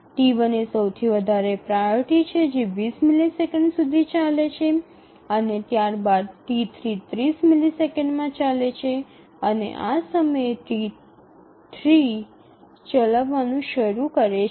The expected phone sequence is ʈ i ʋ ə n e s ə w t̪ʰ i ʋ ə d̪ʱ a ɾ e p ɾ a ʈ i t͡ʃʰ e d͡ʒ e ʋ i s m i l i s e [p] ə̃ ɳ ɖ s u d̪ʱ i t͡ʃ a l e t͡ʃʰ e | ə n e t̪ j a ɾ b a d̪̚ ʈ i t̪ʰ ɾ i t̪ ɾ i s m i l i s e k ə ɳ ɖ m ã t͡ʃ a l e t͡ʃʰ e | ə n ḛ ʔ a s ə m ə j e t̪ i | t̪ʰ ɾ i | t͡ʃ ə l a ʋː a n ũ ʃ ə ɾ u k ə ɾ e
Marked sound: incorrect: k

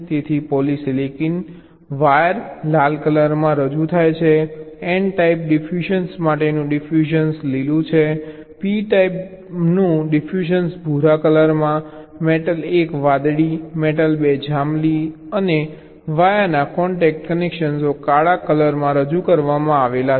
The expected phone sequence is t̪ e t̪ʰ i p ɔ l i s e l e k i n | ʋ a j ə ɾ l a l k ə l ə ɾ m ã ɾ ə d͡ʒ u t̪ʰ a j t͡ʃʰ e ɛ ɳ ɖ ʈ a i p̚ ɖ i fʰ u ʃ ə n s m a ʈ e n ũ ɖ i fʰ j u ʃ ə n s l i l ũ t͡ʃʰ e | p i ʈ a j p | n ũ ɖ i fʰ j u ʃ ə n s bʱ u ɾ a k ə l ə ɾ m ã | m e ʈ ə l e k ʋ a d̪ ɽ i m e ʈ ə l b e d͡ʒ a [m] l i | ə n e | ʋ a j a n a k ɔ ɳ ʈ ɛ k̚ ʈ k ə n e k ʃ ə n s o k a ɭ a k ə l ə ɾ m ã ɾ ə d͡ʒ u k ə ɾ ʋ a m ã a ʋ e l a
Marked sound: correct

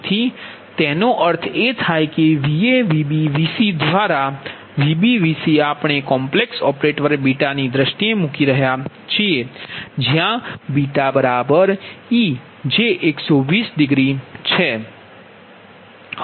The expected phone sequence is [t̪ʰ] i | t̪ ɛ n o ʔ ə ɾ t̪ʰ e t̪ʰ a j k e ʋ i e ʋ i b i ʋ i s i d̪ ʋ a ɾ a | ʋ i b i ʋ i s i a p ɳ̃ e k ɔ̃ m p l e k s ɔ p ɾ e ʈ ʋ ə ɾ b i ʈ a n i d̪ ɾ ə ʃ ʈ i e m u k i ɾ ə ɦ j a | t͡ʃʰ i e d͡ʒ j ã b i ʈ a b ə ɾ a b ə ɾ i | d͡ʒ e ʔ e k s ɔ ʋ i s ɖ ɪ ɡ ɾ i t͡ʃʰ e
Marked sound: correct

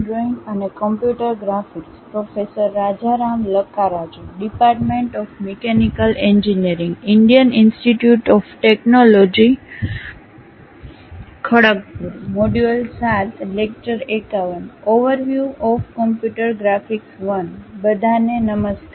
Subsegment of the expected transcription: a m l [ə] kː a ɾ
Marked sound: correct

